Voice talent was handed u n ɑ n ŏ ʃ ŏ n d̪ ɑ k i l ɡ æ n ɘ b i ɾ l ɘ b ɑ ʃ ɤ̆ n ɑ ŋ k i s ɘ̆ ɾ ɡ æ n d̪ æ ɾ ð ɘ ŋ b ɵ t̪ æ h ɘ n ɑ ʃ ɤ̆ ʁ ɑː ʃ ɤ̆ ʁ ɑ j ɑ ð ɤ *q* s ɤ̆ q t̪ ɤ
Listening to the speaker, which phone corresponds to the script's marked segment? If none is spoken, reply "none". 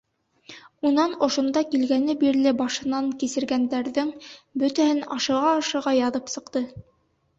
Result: p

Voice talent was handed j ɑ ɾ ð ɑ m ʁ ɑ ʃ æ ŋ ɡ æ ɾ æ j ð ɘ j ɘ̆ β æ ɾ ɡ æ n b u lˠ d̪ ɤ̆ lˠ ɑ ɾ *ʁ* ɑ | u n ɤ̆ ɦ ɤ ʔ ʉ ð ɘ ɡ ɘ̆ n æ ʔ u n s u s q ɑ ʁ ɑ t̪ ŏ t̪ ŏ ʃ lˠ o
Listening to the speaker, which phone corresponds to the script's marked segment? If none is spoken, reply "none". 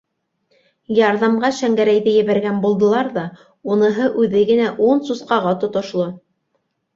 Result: ð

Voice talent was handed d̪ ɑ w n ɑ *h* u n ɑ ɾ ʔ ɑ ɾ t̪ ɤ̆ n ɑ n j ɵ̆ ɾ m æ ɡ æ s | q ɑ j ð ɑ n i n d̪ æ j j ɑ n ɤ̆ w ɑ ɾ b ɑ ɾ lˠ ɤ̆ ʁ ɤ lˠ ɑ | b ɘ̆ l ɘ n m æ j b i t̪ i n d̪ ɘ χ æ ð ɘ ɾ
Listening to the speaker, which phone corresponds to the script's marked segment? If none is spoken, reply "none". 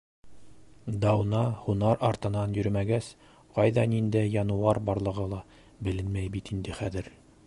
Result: h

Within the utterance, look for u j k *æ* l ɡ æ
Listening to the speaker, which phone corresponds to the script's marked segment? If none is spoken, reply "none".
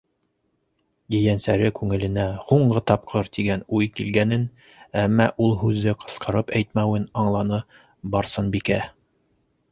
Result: i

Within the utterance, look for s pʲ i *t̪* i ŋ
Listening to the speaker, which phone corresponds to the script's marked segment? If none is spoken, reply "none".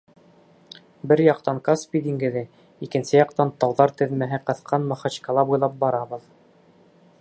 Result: d̪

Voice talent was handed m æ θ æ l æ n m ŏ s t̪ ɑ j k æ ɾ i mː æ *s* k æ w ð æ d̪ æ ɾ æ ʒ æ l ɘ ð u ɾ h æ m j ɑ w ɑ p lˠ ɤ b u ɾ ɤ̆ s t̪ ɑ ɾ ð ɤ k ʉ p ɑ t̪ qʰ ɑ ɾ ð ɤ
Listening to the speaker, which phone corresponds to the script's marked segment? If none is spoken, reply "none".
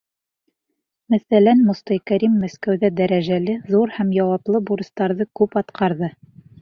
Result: s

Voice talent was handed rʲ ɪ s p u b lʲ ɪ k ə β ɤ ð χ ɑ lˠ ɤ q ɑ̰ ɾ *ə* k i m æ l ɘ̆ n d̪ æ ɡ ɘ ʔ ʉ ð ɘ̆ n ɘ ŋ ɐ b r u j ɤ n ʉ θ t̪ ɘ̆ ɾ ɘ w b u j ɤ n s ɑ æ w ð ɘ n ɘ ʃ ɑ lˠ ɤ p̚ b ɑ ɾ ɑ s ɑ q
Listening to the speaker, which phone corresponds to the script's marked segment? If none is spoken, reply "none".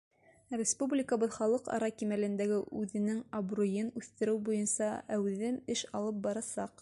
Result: ɑ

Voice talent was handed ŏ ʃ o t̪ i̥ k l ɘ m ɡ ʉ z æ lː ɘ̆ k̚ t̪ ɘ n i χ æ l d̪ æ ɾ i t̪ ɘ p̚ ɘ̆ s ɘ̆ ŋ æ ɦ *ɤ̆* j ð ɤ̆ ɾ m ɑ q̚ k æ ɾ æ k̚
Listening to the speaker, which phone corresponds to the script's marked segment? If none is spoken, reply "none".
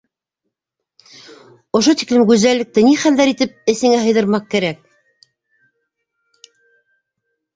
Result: ɤ̆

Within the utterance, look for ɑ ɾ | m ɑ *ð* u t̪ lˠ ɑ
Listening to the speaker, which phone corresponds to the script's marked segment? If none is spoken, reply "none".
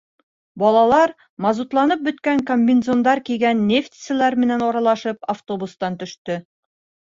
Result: z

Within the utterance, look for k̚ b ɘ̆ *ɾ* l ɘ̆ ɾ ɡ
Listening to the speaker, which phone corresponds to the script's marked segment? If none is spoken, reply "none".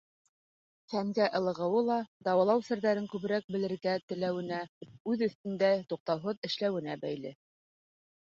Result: none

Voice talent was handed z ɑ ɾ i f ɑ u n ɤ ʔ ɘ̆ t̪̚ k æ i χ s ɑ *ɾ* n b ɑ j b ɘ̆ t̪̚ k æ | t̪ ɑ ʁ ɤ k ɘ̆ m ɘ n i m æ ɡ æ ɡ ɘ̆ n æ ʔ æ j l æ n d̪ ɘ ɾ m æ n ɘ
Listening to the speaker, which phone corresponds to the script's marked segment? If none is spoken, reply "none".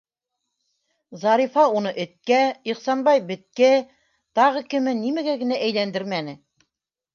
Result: none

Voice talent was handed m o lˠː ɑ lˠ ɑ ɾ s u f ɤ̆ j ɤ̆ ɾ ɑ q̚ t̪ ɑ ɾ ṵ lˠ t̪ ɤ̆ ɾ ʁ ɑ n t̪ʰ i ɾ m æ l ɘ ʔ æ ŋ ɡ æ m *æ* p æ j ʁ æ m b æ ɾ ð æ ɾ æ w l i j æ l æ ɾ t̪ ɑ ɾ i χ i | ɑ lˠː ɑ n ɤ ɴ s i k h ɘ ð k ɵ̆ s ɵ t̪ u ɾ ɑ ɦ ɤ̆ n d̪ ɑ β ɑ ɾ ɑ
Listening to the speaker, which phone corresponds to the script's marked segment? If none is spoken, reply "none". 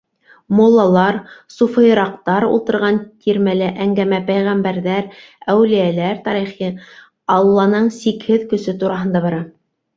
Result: æ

